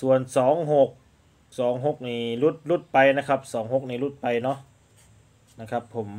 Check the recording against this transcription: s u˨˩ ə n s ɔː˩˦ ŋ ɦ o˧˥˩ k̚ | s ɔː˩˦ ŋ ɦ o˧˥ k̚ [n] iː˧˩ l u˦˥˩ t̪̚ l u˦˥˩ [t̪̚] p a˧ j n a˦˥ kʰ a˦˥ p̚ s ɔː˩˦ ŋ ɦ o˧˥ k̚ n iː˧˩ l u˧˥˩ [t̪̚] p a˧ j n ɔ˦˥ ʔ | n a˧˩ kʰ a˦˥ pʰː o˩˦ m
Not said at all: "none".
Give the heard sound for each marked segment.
n, t̪̚, t̪̚

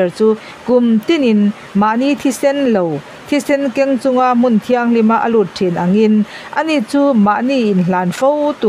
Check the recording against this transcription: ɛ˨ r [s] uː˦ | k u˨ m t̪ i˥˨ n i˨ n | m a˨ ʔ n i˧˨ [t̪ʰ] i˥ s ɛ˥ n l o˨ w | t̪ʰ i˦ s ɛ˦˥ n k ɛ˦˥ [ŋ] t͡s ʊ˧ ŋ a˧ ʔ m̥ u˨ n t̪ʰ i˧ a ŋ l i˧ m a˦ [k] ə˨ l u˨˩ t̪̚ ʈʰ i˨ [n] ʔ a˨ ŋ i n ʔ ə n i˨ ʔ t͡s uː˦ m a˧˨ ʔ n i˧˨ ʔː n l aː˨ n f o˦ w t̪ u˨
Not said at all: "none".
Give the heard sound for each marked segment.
t͡s, t̪ʰ, ŋ, ʔ, n

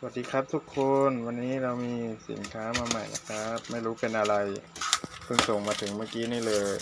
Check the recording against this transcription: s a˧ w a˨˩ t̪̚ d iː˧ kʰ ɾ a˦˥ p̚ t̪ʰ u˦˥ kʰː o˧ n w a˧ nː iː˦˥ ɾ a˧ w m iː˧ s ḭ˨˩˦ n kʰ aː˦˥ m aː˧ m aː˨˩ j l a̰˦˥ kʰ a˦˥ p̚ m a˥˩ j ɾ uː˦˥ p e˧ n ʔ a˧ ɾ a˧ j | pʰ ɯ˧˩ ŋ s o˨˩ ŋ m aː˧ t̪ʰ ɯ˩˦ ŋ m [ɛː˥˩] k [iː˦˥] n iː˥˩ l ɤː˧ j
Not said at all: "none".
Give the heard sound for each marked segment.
aː˥˩, iː˦˥

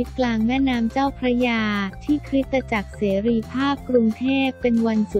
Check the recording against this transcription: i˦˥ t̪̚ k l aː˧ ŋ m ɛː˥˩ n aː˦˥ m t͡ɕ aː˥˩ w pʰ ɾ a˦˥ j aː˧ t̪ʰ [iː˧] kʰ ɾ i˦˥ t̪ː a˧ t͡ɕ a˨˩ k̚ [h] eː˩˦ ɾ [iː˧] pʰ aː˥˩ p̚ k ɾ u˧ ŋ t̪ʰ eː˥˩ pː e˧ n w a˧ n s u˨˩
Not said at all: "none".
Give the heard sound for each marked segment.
iː˥˩, s, iː˧

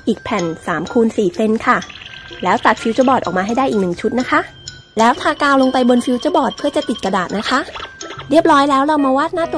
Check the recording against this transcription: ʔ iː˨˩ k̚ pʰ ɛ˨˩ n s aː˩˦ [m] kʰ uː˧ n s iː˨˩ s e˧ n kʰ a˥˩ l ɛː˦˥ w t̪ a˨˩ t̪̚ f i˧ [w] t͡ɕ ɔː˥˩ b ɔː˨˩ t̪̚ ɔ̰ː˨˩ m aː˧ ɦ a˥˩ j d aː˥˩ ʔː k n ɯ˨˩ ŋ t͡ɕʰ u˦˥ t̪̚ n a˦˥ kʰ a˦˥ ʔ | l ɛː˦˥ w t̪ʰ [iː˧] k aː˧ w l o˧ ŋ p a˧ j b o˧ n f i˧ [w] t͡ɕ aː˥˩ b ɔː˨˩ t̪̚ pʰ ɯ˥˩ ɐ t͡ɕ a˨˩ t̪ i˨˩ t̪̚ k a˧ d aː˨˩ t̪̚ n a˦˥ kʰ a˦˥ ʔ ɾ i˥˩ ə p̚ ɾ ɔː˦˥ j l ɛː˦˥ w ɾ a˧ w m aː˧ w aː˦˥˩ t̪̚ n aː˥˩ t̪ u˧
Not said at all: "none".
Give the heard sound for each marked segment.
m, w, aː˧, w

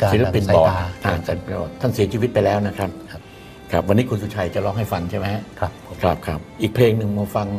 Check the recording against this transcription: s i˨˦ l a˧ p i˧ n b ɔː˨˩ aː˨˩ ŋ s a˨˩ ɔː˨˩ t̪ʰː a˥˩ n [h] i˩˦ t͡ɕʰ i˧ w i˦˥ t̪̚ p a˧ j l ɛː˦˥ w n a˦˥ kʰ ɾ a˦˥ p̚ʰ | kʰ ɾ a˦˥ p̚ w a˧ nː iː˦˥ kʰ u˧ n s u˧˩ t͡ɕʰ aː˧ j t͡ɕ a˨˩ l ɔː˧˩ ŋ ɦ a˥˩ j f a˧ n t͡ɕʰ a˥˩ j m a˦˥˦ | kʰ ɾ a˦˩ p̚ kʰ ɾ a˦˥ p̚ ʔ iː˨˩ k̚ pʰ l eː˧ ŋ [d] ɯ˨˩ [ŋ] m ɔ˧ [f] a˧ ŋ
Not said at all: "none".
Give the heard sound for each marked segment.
s, n, ŋ, f

